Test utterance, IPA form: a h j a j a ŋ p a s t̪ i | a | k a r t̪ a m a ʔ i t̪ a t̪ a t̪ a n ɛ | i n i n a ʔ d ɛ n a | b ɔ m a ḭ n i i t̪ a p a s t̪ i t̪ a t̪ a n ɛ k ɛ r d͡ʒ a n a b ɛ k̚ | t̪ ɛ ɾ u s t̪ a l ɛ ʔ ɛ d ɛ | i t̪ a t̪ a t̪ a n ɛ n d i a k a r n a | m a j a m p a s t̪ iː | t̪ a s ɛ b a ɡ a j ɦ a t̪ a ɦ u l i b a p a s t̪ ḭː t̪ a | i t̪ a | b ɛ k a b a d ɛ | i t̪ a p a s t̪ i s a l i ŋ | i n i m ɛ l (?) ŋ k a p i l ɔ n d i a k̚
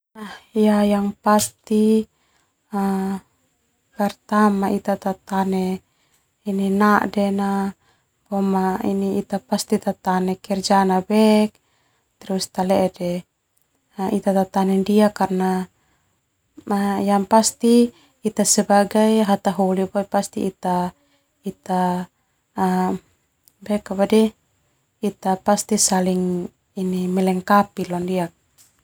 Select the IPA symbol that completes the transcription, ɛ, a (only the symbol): ɛ